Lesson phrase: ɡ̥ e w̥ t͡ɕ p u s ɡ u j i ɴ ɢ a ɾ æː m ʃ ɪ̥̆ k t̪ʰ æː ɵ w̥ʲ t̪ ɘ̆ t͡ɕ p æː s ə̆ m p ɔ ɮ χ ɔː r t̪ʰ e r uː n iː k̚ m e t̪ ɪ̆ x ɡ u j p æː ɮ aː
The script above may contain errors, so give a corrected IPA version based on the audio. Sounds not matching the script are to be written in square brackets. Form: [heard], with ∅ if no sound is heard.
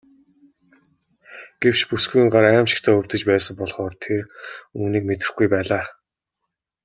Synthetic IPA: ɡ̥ e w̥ t͡ɕ p u s ɡ u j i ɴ ɢ a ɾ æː m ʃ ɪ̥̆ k t̪ʰ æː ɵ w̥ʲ t̪ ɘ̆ t͡ɕ p æː s ə̆ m p ɔ ɮ χ ɔː r t̪ʰ e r uː n iː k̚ m e t̪ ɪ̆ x ɡ u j p æː ɮ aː